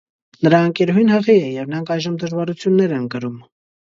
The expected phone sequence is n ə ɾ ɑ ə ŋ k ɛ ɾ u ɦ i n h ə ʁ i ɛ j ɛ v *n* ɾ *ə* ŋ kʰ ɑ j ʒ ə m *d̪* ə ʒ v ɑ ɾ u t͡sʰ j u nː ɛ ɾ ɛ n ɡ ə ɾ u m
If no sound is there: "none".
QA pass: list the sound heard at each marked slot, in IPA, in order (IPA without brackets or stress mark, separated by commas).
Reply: n, ɑ, d̪